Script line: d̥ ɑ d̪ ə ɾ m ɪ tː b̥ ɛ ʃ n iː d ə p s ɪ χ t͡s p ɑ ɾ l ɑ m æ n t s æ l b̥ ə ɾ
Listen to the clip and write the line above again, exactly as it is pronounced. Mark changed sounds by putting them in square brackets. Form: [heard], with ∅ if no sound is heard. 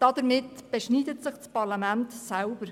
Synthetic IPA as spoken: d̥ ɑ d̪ ə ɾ m ɪ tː b̥ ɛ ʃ n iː d ə [t] s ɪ χ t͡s p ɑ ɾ l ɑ m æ n t s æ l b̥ ə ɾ